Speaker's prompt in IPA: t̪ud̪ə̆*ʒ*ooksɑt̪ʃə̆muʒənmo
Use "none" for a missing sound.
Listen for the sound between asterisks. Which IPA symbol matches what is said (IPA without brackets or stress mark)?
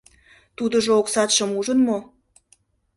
ʒ